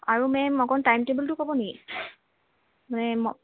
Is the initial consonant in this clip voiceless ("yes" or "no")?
no